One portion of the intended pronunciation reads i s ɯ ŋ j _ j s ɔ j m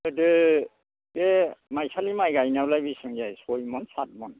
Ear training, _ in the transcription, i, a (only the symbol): a